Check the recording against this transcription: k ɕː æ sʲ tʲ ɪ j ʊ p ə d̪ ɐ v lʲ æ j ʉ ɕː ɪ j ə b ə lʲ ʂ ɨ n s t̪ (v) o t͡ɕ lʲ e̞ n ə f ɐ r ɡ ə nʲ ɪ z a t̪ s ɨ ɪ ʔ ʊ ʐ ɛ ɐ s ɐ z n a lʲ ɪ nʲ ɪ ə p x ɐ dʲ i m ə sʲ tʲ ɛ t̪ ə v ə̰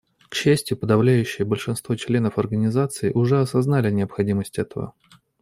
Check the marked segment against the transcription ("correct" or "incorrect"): correct